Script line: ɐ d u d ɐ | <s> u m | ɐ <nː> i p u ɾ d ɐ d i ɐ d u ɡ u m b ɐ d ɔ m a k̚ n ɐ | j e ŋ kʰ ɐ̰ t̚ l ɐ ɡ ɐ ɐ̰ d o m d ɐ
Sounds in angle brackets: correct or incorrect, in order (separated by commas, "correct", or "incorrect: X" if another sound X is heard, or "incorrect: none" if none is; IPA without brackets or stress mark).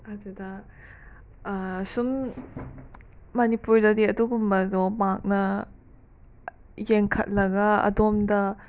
correct, incorrect: n